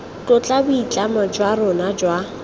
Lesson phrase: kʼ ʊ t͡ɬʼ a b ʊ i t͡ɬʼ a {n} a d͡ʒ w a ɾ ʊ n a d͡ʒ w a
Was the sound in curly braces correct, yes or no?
no